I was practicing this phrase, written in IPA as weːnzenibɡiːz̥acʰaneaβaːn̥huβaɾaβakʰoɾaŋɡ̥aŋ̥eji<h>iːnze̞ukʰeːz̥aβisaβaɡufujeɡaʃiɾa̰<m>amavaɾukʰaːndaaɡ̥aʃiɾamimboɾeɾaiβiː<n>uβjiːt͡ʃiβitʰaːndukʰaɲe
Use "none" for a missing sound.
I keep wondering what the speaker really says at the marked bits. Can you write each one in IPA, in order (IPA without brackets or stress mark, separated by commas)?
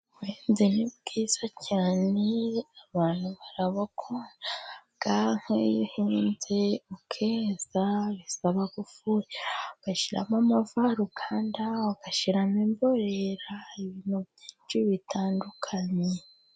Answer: h, m, n